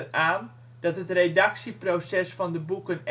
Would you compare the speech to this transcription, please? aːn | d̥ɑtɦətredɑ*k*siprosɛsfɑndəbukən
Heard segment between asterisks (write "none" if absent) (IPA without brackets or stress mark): k